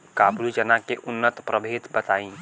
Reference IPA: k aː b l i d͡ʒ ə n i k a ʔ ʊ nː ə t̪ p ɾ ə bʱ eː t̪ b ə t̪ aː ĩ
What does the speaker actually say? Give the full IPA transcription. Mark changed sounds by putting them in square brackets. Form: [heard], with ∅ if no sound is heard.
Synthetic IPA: k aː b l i d͡ʒ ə n [a] k [e] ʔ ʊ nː ə t̪ p ɾ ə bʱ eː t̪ b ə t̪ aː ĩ